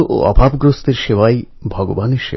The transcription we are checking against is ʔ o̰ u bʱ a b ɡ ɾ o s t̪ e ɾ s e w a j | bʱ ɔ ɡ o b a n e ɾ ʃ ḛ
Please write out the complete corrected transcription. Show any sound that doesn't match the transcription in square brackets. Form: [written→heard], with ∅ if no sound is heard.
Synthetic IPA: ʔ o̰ [u→ɔ] bʱ a b ɡ ɾ o s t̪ e ɾ [s→ʃ] e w a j | bʱ ɔ ɡ o b a n e ɾ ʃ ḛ